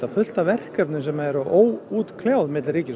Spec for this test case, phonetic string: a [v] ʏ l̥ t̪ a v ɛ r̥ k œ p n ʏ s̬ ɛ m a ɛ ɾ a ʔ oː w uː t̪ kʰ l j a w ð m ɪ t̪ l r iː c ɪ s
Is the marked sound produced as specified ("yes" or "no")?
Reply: no